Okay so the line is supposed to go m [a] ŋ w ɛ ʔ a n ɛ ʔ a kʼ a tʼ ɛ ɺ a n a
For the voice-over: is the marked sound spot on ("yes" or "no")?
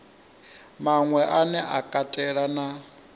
yes